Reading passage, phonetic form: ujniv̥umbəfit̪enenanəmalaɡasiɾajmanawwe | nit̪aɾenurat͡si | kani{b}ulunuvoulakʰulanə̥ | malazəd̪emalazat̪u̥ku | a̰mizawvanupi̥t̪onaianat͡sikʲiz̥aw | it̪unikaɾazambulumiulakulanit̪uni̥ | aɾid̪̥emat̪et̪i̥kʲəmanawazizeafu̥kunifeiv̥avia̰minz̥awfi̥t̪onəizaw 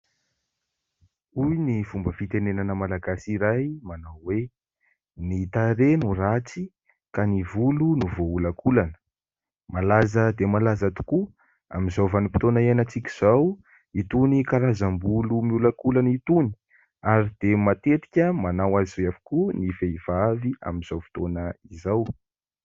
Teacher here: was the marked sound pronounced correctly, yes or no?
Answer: no